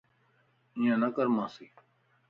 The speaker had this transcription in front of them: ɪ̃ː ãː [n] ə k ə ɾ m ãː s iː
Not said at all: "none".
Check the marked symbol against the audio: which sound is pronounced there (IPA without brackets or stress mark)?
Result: n